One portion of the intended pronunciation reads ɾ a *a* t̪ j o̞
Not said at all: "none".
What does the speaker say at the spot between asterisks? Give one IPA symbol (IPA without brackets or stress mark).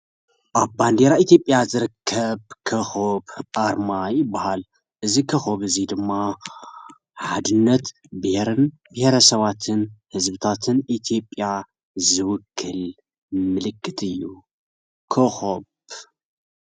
i